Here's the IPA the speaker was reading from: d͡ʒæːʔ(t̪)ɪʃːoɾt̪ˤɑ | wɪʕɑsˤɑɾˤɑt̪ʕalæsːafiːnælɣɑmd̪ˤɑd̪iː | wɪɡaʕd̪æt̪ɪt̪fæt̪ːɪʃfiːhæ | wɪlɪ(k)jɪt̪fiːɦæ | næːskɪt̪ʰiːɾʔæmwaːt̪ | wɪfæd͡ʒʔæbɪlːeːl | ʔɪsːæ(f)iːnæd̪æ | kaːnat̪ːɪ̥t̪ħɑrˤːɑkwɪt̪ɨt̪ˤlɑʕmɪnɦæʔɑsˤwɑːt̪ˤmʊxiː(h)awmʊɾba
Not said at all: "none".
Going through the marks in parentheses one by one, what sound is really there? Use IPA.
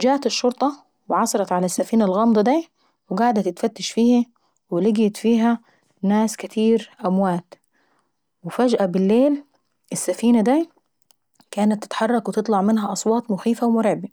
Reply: t̪, ɡ, f, f

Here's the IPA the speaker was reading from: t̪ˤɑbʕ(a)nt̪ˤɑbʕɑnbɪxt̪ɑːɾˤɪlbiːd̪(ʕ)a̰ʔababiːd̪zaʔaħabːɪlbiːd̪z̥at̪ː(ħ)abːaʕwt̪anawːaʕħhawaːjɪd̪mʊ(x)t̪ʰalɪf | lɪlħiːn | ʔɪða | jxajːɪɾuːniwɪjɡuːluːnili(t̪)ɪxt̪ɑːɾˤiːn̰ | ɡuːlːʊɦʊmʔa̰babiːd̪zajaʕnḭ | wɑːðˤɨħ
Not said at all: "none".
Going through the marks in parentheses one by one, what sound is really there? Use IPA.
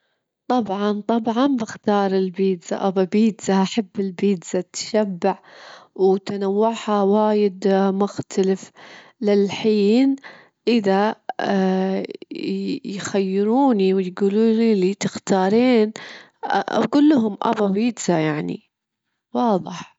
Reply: ɑ, z, ʃ, x, t̪

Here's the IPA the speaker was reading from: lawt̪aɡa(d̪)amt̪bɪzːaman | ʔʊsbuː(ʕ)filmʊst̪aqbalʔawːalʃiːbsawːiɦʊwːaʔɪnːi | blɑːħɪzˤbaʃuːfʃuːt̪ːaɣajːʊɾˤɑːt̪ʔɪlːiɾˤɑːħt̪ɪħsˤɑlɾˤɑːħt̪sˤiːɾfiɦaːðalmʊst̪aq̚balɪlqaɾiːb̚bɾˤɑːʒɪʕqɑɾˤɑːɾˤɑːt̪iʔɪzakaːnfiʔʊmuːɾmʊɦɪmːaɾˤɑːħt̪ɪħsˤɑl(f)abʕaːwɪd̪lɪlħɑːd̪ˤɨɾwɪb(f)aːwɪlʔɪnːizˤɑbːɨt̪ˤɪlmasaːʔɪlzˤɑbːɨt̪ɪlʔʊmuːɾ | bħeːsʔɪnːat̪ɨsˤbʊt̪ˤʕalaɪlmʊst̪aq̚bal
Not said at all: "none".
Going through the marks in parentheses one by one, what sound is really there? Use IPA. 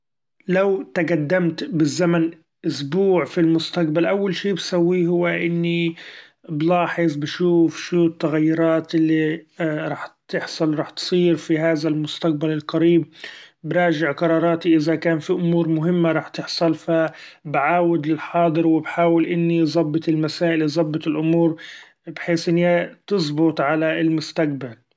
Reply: d̪ː, ʕ, f, ħ

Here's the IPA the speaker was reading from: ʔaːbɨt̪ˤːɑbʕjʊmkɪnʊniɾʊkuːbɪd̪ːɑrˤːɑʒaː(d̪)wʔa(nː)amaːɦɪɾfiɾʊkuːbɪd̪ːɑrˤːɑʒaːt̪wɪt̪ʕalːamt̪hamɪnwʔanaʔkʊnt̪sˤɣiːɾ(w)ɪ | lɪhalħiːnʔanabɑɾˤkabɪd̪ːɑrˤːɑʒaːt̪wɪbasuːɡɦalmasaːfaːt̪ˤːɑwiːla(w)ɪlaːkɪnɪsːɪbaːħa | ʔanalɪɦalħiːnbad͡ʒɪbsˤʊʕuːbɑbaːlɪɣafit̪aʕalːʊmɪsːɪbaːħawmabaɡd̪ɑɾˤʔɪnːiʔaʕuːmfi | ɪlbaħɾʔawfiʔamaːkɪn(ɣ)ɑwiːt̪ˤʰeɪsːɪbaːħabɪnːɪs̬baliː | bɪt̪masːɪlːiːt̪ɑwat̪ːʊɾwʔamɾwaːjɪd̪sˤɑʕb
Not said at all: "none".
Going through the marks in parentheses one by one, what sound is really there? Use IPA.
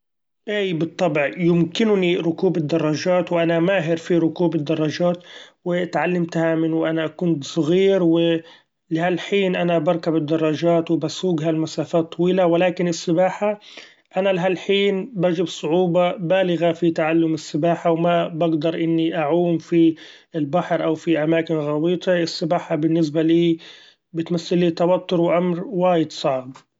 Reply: t̪, n, w, w, ɣ

